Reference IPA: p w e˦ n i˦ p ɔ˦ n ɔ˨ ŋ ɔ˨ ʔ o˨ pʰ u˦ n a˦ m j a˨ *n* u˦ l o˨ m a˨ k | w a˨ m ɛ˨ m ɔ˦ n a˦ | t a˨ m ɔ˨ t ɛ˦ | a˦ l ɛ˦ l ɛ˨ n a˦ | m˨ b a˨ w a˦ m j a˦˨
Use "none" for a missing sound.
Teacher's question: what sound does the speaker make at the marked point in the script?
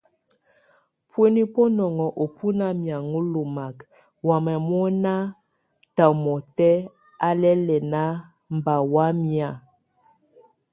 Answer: ŋ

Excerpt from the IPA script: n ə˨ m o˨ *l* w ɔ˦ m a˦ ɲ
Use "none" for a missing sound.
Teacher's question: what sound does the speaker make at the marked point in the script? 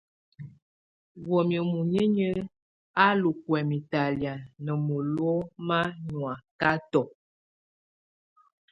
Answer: l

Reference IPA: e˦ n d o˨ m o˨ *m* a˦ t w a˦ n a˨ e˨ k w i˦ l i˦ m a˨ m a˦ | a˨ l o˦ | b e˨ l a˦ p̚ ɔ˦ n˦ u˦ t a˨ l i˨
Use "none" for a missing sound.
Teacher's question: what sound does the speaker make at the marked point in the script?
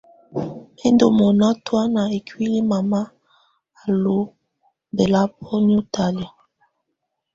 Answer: n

